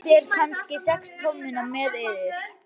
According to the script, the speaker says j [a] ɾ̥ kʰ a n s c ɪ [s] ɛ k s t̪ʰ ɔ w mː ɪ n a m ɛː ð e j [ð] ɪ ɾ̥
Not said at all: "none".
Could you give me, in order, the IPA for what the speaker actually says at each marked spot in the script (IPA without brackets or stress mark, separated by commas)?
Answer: ɛ, s, ð